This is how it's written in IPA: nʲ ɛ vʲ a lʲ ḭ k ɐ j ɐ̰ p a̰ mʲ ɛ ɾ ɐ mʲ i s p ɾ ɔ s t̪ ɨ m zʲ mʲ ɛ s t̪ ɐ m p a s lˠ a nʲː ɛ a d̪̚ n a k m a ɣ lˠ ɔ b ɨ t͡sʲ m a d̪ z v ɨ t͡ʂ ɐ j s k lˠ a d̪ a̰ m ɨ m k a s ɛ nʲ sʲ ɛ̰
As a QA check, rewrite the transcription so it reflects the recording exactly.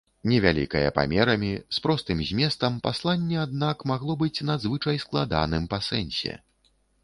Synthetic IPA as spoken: nʲ ɛ vʲ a lʲ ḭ k ɐ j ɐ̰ p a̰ mʲ ɛ ɾ ɐ mʲ i s p ɾ ɔ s t̪ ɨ m zʲ mʲ ɛ s t̪ ɐ m p a s lˠ a nʲː ɛ a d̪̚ n a k m a ɣ lˠ ɔ b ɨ t͡sʲ n a d̪ z v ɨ t͡ʂ ɐ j s k lˠ a d̪ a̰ n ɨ m p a s ɛ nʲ sʲ ɛ̰

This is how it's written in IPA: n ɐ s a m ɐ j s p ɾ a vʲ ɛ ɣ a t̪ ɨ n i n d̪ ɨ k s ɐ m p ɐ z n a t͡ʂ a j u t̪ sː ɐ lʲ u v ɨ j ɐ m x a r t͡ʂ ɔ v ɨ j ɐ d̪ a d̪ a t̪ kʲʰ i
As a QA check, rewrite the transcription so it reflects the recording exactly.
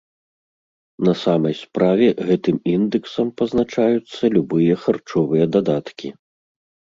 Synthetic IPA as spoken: n ɐ s a m ɐ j s p ɾ a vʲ ɛ ɣ ɛ t̪ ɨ m i n d̪ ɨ k s ɐ m p ɐ z n a t͡ʂ a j u t̪ sː ɐ lʲ u b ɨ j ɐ x a r t͡ʂ ɔ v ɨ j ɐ d̪ a d̪ a t̪ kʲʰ i

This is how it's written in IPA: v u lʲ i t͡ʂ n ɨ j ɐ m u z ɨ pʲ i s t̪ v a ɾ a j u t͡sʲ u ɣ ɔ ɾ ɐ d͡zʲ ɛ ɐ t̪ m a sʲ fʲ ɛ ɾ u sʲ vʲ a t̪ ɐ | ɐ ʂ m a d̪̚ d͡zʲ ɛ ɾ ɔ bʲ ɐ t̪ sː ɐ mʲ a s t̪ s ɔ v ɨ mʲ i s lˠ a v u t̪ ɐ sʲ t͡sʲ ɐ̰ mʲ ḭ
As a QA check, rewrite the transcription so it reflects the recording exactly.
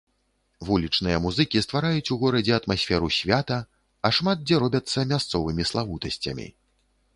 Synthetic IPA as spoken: v u lʲ i t͡ʂ n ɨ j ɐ m u z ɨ kʲ i s t̪ v a ɾ a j u t͡sʲ u ɣ ɔ ɾ ɐ d͡zʲ ɛ ɐ t̪ m a sʲ fʲ ɛ ɾ u sʲ vʲ a t̪ ɐ | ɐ ʂ m a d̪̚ d͡zʲ ɛ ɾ ɔ bʲ ɐ t̪ sː ɐ mʲ a s t̪ s ɔ v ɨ mʲ i s lˠ a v u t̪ ɐ sʲ t͡sʲ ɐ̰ mʲ ḭ

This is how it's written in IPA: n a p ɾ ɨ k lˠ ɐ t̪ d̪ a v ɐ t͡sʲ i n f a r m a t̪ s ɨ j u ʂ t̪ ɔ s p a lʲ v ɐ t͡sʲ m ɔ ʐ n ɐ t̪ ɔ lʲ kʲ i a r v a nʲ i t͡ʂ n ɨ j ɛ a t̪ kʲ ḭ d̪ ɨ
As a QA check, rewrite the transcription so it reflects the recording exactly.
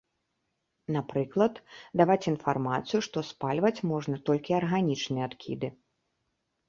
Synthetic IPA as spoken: n a p ɾ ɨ k lˠ ɐ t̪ d̪ a v a t͡sʲ i n f a r m a t̪ s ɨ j u ʂ t̪ ɔ s p a lʲ v ɐ t͡sʲ m ɔ ʐ n ɐ t̪ ɔ lʲ kʲ i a r ɣ a nʲ i t͡ʂ n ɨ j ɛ a t̪ kʲ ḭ d̪ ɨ

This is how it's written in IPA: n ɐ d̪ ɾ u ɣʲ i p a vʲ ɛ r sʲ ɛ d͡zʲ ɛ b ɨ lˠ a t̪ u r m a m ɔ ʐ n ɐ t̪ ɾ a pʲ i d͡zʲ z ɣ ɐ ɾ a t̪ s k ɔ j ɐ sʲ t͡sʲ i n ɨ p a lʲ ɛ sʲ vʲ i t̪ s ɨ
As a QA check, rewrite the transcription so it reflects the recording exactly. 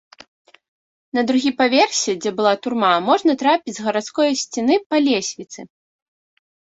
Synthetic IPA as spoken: n ɐ d̪ ɾ u ɣʲ i p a vʲ ɛ r sʲ ɛ d͡zʲ ɛ b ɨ lˠ a t̪ u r m a m ɔ ʐ n ɐ t̪ ɾ a pʲ i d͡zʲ z ɣ ɐ ɾ a t̪ s k ɔ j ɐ sʲ t͡sʲ i n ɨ p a lʲ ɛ sʲ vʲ i t̪ s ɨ

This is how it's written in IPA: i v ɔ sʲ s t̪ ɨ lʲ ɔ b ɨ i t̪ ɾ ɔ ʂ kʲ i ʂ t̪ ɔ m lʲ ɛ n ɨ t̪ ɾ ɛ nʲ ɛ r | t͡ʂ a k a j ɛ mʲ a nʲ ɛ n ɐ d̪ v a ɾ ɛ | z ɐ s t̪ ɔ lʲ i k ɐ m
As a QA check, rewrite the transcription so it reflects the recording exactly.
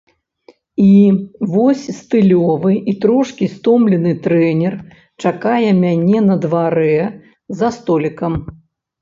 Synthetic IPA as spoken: i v ɔ sʲ s t̪ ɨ lʲ ɔ v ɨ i t̪ ɾ ɔ ʂ kʲ i s t̪ ɔ m lʲ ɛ n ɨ t̪ ɾ ɛ nʲ ɛ r | t͡ʂ a k a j ɛ mʲ a nʲ ɛ n ɐ d̪ v a ɾ ɛ | z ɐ s t̪ ɔ lʲ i k ɐ m

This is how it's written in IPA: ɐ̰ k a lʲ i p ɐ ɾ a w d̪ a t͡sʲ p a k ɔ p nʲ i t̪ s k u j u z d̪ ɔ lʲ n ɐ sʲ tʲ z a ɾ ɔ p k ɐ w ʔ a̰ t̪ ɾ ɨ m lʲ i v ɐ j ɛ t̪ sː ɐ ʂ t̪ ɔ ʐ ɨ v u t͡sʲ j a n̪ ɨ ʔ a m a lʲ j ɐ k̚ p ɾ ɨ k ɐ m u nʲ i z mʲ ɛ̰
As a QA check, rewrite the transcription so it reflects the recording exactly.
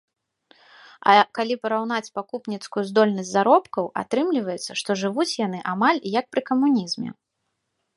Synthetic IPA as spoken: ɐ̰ k a lʲ i p ɐ ɾ a w n̪ a t͡sʲ p a k u p nʲ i t̪ s k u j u z d̪ ɔ lʲ n ɐ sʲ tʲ z a ɾ ɔ p k ɐ w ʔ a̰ t̪ ɾ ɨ m lʲ i v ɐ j ɛ t̪ sː ɐ ʂ t̪ ɔ ʐ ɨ v u t͡sʲ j a n̪ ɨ ʔ a m a lʲ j ɐ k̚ p ɾ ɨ k ɐ m u nʲ i z mʲ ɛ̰

